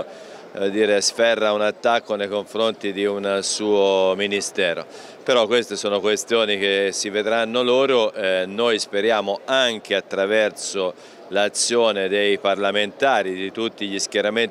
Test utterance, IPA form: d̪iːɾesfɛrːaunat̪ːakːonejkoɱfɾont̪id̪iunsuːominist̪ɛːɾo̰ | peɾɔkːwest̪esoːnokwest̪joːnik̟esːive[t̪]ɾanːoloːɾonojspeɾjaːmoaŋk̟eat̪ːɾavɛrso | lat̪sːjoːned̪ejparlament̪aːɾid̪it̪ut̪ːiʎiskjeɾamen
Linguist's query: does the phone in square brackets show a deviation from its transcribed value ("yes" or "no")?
yes